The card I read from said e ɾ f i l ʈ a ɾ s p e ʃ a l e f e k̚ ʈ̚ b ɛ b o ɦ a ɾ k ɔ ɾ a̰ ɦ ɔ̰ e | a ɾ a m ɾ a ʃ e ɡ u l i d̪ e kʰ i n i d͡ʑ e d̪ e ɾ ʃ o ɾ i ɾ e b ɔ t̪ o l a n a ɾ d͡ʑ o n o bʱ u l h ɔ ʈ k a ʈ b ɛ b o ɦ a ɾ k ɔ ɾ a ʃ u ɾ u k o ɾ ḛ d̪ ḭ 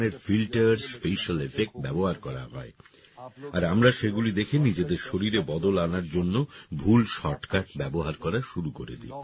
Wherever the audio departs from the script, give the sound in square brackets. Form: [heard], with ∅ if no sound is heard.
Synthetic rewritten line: e ɾ f i l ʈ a ɾ s p e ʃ a l e f e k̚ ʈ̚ b ɛ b o ɦ a ɾ k ɔ ɾ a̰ ɦ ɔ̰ e | a ɾ a m ɾ a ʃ e ɡ u l i d̪ e kʰ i n i d͡ʑ e d̪ e ɾ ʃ o ɾ i ɾ e b ɔ [d̪] o l a n a ɾ d͡ʑ o [nː] o bʱ u l [ʃ] ɔ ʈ k a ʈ b ɛ b o ɦ a ɾ k ɔ ɾ a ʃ u ɾ u k o ɾ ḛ d̪ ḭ